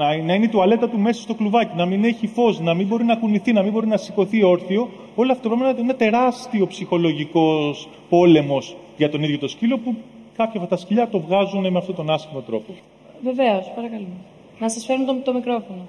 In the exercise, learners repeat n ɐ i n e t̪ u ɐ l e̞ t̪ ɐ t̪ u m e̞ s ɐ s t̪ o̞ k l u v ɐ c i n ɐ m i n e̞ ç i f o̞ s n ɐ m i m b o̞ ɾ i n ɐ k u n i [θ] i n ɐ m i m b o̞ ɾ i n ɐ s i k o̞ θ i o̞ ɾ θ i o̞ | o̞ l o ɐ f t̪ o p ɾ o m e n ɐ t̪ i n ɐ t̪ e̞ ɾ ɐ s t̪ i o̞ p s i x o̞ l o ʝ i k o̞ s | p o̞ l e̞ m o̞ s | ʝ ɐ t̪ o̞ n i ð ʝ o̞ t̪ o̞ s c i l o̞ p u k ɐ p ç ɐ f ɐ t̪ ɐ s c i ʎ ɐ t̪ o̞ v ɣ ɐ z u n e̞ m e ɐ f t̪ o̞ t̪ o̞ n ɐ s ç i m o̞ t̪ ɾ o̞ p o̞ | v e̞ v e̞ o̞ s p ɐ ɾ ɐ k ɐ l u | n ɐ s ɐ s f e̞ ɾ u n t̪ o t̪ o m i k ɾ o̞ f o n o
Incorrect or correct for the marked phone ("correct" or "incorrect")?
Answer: correct